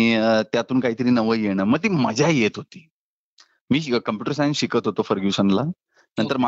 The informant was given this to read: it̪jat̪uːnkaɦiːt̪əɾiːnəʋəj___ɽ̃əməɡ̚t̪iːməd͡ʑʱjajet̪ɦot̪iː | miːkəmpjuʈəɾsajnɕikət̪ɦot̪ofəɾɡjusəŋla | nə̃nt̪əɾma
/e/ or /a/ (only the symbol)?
e